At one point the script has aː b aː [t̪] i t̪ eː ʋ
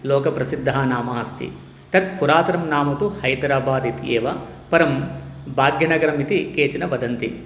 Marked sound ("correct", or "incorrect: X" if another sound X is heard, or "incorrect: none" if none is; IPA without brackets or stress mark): incorrect: d̪